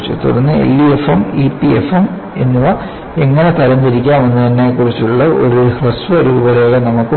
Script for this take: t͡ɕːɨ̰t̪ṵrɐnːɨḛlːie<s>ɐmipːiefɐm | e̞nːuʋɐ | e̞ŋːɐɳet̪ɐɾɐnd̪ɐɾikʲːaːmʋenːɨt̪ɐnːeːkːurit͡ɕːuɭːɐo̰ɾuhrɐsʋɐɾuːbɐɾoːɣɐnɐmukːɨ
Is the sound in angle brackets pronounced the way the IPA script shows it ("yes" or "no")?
no